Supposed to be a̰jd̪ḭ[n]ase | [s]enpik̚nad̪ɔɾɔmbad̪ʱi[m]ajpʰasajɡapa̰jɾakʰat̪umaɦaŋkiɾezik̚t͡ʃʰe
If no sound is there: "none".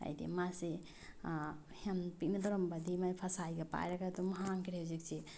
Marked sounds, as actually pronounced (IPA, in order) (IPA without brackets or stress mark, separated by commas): m, h, m